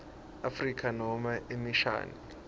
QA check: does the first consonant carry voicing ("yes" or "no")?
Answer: no